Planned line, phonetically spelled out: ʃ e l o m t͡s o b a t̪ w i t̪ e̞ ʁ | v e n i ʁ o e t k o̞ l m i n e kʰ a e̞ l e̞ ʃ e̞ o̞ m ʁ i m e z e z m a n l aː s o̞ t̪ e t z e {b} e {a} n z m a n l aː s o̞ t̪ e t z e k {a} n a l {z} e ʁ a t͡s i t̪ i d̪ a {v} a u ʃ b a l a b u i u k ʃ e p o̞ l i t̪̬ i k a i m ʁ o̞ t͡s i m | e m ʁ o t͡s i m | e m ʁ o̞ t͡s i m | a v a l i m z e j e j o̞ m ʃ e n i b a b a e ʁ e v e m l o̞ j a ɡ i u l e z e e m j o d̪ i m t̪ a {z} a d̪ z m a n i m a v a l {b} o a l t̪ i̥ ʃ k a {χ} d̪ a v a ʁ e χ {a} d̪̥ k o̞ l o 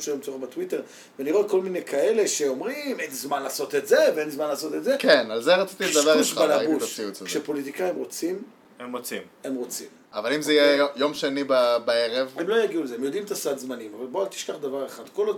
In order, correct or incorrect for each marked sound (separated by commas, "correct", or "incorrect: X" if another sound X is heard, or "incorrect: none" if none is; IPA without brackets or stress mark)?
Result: incorrect: v, incorrect: e, incorrect: e, correct, correct, incorrect: s, correct, correct, correct